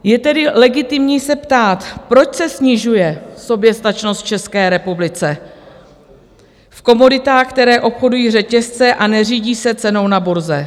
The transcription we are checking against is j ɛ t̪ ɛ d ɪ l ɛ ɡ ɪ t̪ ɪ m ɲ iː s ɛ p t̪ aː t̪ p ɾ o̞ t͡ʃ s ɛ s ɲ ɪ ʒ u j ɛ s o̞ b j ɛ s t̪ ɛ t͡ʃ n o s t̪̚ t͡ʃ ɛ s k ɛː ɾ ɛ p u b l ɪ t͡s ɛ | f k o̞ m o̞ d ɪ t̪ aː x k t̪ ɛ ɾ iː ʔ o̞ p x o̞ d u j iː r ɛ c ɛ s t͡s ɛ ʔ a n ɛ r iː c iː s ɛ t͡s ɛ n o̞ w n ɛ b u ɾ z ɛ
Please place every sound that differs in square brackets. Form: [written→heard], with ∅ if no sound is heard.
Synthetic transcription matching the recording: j ɛ t̪ ɛ d ɪ l ɛ ɡ ɪ t̪ ɪ m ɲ iː s ɛ p t̪ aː t̪ p ɾ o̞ t͡ʃ s ɛ s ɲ ɪ ʒ u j ɛ s o̞ b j ɛ s t̪ [ɛ→a] t͡ʃ n o s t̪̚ t͡ʃ ɛ s k ɛː ɾ ɛ p u b l ɪ t͡s ɛ | f k o̞ m o̞ d ɪ t̪ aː x k t̪ ɛ ɾ [iː→ɛː] ʔ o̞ p x o̞ d u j iː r ɛ c ɛ s t͡s ɛ ʔ a n ɛ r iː [c→ɟ] iː s ɛ t͡s ɛ n o̞ w n [ɛ→a] b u ɾ z ɛ